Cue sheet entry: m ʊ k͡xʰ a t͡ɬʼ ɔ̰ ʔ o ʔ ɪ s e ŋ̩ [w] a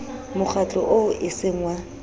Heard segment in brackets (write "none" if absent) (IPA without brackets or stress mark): w